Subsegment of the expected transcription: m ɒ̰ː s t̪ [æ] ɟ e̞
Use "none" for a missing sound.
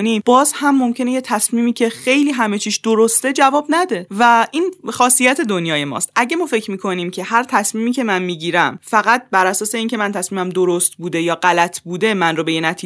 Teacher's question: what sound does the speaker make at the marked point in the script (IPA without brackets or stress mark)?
æ